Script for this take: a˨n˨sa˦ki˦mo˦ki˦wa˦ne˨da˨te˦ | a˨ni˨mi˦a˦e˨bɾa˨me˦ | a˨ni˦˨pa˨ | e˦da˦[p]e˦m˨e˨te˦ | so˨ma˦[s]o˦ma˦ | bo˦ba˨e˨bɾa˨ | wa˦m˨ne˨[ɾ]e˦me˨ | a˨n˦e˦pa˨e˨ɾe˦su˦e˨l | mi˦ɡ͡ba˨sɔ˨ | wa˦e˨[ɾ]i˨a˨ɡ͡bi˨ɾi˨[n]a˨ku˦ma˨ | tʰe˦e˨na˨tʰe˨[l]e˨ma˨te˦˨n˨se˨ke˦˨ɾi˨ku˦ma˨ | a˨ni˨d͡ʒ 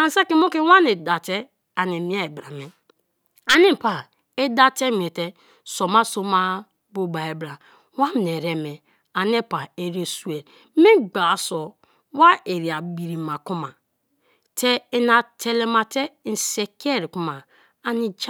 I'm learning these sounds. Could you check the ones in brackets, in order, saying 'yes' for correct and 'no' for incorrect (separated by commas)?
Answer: no, yes, yes, yes, no, yes